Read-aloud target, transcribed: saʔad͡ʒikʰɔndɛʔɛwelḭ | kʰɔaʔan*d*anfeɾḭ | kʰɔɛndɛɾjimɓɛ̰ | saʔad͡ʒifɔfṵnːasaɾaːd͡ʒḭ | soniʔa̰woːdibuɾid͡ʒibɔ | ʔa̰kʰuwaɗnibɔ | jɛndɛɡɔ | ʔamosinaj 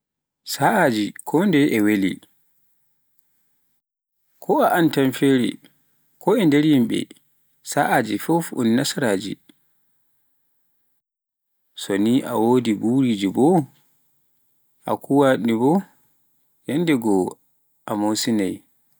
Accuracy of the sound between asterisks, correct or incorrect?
incorrect